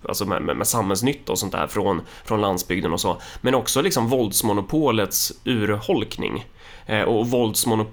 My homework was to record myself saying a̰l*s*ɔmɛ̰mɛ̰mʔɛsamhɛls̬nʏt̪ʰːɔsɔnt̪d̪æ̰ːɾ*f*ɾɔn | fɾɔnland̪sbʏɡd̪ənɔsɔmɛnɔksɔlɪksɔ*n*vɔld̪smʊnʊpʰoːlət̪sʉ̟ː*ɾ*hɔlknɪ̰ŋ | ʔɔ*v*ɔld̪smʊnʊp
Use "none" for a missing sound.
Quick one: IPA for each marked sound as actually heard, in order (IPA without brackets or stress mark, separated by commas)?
s, f, m, ɾ, v